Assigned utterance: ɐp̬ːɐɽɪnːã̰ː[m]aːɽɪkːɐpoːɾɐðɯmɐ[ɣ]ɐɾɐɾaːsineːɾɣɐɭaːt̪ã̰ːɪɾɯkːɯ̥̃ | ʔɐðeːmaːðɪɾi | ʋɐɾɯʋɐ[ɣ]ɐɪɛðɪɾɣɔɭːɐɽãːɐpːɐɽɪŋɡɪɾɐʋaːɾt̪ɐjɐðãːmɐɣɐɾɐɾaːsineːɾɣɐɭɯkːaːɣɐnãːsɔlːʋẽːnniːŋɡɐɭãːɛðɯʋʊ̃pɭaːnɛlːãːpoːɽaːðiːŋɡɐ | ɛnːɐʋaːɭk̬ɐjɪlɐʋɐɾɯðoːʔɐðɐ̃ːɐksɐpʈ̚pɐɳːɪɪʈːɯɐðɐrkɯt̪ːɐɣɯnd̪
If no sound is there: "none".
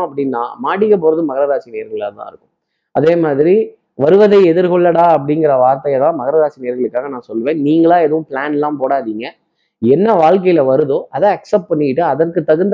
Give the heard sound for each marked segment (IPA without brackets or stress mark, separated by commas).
m, ɣ, ð